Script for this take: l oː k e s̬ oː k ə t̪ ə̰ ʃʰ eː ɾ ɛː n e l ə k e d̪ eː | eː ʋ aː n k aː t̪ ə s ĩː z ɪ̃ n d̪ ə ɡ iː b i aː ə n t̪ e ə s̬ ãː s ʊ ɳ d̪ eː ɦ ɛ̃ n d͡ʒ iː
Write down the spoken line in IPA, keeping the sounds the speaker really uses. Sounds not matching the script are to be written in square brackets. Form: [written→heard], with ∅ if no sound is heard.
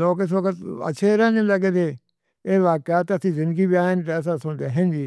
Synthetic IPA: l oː k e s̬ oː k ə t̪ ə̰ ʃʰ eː ɾ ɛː n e l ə [k→ɡ] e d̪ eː | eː ʋ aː [n→∅] k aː t̪ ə s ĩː z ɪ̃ n d̪ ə ɡ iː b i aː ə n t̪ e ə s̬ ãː s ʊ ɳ d̪ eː ɦ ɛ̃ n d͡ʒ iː